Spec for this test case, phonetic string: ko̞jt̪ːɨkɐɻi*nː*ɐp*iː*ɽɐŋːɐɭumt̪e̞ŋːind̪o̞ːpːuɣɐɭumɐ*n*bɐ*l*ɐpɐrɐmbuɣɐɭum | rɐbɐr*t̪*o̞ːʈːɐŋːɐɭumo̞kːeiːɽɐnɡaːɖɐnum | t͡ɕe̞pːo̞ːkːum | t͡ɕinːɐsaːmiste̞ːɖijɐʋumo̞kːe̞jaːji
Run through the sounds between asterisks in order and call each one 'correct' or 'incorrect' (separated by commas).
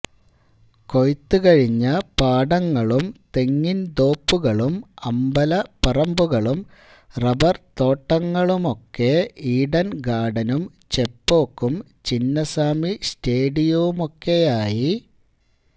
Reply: incorrect, incorrect, incorrect, correct, correct